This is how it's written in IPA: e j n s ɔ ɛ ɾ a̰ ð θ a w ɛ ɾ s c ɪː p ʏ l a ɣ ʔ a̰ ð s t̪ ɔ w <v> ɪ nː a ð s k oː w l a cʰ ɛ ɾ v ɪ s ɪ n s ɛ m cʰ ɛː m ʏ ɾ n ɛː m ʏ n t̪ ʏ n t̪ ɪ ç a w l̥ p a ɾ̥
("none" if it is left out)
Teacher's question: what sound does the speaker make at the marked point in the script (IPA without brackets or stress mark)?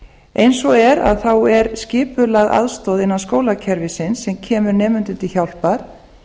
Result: ð